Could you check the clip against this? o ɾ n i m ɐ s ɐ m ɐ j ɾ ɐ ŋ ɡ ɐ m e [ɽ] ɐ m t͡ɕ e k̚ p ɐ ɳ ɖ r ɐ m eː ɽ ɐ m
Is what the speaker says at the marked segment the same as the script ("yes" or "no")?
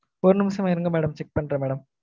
yes